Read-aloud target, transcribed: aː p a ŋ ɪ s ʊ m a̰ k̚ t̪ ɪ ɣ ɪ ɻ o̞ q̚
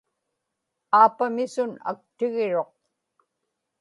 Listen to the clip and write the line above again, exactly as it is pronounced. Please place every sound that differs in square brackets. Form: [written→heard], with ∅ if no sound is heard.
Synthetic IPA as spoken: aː p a [ŋ→m] ɪ s ʊ [m→n] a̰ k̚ t̪ ɪ ɣ ɪ ɻ o̞ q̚

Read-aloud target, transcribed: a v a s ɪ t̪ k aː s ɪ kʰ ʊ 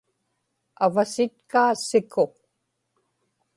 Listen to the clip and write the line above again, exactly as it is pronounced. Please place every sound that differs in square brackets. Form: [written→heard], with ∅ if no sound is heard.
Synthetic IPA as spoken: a v a s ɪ t̪ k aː s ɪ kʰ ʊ

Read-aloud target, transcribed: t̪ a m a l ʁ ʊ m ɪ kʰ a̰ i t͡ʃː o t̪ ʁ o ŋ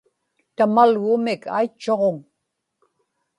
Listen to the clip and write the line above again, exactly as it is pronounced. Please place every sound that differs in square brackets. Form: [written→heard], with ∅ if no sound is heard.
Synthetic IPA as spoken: t̪ a m a l [ʁ→ɣ] ʊ m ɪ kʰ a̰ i t͡ʃː o [t̪→∅] ʁ o ŋ

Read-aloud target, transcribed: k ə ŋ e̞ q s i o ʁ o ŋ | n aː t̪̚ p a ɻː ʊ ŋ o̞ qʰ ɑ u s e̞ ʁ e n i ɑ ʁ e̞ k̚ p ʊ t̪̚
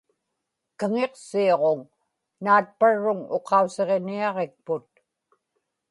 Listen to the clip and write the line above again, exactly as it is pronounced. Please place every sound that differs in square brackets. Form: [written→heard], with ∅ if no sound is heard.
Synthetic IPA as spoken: k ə ŋ e̞ q s i o ʁ o ŋ | n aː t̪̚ p a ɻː ʊ ŋ o̞ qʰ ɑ u s e̞ ʁ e n i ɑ ʁ e̞ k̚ p ʊ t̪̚

